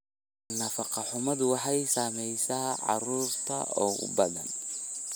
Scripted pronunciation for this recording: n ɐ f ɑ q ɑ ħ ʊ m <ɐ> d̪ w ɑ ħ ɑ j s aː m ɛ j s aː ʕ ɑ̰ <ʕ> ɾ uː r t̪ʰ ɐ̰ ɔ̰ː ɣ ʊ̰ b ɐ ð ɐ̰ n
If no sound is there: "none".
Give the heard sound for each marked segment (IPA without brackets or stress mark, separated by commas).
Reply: ɐ, none